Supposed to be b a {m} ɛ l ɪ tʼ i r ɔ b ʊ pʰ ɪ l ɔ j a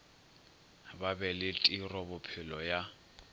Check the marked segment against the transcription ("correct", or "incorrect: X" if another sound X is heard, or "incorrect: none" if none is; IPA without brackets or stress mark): incorrect: b